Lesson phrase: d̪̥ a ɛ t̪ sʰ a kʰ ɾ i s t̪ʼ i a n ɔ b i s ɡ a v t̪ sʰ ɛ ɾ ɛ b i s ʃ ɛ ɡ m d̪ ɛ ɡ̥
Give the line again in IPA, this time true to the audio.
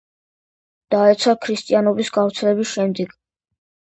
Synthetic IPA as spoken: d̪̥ a ɛ t̪ sʰ a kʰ ɾ i s t̪ʼ i a n ɔ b i s ɡ a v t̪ sʰ ɛ l ɛ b i s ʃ ɛ m d̪ ɛ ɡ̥